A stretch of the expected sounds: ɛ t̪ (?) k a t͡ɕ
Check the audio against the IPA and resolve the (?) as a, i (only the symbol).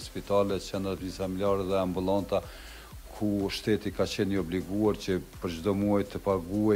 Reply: i